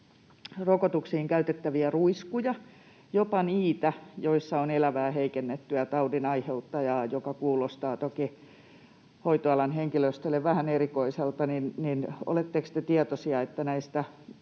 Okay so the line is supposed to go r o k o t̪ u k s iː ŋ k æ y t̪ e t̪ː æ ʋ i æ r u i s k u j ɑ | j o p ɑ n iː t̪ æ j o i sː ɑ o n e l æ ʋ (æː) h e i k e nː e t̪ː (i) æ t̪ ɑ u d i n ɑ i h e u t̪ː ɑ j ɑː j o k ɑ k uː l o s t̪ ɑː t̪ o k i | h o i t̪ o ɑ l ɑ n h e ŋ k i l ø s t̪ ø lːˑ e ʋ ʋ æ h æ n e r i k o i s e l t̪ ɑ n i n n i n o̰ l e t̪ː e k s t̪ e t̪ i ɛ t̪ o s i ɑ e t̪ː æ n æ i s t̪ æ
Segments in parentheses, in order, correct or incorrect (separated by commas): correct, incorrect